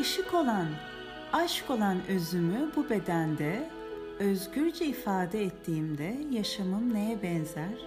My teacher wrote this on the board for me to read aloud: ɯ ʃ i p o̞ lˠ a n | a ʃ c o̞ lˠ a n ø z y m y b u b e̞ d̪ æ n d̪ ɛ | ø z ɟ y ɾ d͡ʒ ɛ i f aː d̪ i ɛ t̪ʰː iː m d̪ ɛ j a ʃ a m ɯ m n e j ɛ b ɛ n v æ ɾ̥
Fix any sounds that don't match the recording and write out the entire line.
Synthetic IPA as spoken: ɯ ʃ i k o̞ lˠ a n | a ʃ k o̞ lˠ a n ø z y m y b u b e̞ d̪ æ n d̪ ɛ | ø z ɟ y ɾ d͡ʒ ɛ i f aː d̪ ɛ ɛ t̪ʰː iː m d̪ ɛ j a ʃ a m ɯ m n e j ɛ b ɛ n z æ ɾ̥